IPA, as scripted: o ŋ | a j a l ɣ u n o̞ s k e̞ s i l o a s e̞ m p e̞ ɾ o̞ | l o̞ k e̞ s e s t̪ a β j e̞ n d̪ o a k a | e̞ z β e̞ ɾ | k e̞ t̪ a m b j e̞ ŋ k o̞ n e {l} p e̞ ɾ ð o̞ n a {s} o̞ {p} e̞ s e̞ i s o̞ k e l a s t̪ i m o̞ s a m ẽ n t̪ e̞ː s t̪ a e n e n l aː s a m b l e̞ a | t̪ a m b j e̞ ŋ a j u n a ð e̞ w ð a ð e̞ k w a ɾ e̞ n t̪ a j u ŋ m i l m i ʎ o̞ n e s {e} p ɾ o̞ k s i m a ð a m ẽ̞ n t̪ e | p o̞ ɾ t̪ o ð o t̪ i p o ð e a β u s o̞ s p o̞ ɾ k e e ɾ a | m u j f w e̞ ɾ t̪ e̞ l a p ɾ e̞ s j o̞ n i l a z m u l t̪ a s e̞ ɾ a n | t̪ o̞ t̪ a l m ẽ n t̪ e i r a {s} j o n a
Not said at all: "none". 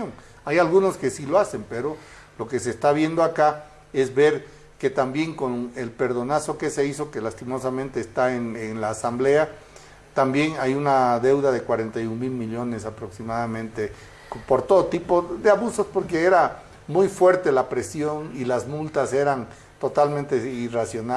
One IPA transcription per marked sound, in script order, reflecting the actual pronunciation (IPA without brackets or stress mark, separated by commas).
l, s, k, a, s